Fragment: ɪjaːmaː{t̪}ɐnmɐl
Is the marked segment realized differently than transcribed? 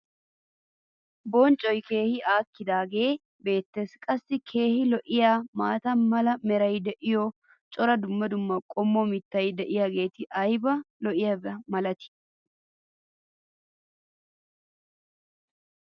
no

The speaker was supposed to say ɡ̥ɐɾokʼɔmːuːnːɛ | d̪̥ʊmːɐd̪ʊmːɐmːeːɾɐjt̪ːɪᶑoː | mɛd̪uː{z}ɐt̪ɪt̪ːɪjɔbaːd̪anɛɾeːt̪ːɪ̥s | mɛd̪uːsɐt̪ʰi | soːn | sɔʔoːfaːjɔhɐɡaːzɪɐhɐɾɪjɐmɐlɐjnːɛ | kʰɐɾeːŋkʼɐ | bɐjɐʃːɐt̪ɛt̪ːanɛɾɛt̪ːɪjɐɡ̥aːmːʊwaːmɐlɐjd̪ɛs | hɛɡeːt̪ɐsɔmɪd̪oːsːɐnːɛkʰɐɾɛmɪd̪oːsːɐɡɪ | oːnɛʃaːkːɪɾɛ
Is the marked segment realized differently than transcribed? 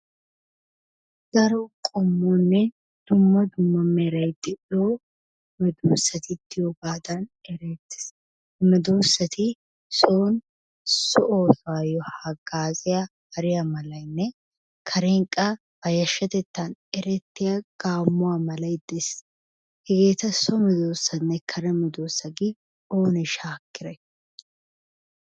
yes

